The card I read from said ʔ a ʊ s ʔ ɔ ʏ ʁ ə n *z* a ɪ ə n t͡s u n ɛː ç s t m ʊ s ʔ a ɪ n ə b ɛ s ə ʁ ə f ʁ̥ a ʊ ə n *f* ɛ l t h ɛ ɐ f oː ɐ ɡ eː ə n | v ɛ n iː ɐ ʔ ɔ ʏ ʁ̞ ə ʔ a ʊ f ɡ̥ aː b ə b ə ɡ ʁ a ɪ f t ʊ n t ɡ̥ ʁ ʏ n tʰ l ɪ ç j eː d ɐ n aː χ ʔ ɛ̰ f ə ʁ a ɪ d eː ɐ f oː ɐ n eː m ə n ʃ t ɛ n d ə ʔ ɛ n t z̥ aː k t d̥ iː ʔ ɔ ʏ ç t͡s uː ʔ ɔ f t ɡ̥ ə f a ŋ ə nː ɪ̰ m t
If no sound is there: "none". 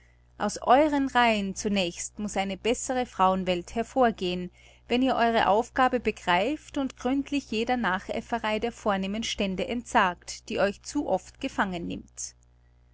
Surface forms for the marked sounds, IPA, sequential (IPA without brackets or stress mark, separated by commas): ʁ, v